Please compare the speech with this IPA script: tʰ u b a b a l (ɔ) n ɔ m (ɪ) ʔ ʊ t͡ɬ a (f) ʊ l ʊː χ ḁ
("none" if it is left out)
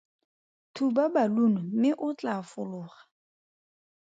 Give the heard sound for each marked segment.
u, ɪ, f

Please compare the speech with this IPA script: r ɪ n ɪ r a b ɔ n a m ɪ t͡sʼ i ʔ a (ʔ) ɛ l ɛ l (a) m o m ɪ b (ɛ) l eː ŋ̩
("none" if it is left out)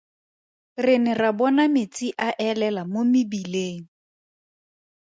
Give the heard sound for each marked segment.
ʔ, a, i

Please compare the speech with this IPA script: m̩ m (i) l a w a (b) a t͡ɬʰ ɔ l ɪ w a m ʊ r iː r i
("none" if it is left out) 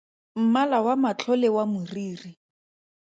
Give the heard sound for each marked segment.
a, m

